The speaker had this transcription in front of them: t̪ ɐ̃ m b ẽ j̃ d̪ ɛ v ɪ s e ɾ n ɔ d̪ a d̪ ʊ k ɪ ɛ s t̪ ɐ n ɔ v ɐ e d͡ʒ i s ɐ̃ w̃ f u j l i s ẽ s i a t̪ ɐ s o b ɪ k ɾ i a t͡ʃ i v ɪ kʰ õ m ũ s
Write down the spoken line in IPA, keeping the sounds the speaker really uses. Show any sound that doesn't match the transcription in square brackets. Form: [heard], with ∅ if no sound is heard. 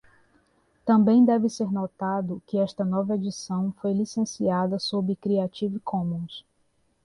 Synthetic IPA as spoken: t̪ ɐ̃ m b ẽ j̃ d̪ ɛ v ɪ s e ɾ n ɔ [t̪] a d̪ ʊ k ɪ ɛ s t̪ ɐ n ɔ v ɐ e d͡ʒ i s ɐ̃ w̃ f [o] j l i s ẽ s i a [d̪] ɐ s o b ɪ k ɾ i a t͡ʃ i v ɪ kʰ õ m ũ s